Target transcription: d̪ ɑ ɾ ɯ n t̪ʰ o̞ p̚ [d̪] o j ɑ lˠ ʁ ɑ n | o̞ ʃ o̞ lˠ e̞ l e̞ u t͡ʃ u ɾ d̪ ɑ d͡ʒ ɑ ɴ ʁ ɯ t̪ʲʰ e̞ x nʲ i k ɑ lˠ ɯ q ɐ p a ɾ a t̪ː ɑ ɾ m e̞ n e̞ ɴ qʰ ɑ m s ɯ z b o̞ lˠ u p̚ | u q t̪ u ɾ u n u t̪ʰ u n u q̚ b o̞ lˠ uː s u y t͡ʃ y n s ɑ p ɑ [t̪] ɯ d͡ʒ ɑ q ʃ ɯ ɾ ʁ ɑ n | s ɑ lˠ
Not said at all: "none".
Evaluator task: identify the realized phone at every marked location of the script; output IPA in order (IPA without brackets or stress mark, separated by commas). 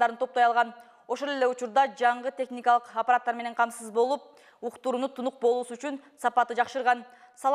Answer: t̪, t̪